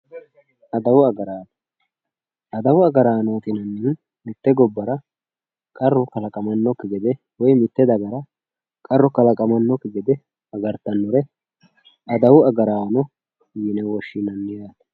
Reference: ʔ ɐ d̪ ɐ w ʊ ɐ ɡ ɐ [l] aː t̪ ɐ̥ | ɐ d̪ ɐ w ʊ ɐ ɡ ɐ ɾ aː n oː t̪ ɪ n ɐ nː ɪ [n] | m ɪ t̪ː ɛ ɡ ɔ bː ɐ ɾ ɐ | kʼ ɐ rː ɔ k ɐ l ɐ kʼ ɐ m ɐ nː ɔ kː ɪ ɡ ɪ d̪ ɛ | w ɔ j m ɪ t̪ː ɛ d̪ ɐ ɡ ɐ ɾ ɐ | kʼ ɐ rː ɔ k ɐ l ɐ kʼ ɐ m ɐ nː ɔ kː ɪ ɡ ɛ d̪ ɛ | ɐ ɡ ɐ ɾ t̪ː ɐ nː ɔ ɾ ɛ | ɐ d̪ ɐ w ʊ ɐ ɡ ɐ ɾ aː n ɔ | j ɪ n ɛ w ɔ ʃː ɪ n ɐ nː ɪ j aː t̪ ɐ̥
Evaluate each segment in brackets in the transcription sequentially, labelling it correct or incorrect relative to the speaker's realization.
incorrect, correct

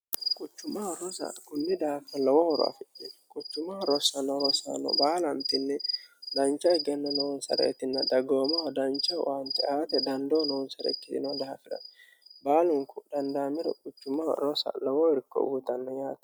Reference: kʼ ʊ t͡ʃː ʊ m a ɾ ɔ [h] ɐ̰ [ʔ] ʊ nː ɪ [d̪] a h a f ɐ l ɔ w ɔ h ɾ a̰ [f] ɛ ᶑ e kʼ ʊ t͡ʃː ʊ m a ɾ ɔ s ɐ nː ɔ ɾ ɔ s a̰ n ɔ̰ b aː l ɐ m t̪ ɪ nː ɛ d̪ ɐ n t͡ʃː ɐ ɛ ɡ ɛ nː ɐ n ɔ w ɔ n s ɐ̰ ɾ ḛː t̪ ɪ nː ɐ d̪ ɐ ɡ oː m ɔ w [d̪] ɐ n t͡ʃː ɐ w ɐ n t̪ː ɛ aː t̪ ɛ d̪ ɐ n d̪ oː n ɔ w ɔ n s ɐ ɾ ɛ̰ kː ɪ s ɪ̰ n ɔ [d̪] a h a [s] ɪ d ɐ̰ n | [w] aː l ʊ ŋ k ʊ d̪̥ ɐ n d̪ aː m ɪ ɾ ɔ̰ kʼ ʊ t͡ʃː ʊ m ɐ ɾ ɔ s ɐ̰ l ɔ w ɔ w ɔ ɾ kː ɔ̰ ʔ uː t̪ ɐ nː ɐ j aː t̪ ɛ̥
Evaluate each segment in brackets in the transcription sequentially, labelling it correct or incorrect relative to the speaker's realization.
incorrect, incorrect, correct, correct, correct, correct, incorrect, incorrect

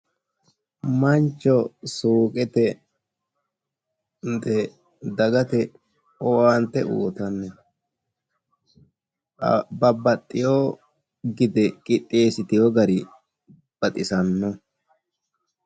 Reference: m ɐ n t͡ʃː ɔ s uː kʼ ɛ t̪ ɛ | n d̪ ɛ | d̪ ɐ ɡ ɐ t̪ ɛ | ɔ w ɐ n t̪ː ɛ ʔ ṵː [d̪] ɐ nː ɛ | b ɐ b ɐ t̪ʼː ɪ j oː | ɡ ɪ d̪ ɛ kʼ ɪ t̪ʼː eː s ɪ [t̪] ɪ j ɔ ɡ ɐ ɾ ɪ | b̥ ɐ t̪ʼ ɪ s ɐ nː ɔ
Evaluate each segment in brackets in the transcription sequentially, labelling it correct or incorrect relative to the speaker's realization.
incorrect, correct

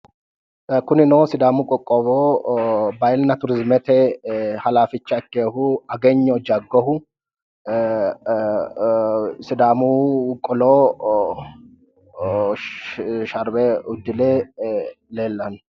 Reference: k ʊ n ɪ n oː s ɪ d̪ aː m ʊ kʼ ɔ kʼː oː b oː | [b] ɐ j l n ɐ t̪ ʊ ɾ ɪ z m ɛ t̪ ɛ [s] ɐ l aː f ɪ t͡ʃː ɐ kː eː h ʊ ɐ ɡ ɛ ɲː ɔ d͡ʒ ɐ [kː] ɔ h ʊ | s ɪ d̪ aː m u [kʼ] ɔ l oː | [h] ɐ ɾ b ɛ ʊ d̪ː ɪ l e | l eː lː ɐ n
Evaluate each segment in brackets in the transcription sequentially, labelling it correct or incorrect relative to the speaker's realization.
correct, incorrect, incorrect, correct, incorrect

